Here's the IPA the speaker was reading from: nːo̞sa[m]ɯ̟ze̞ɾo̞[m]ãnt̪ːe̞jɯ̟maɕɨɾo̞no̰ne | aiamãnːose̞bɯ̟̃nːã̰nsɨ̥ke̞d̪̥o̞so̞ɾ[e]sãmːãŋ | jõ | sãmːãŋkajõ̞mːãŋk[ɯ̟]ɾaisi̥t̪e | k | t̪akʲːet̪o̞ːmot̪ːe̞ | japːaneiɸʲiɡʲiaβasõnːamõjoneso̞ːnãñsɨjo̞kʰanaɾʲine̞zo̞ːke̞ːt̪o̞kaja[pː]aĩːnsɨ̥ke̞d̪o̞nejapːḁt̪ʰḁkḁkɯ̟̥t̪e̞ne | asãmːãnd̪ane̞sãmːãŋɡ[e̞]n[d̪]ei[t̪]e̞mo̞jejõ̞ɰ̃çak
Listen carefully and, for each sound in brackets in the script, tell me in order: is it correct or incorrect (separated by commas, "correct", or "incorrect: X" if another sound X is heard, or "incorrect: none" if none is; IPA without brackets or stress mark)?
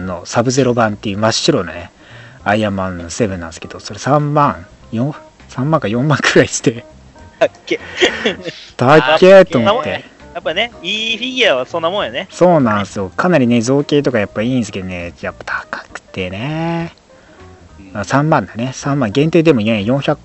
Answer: incorrect: b, incorrect: b, correct, correct, correct, incorrect: ẽ̞, incorrect: t̪, incorrect: d̪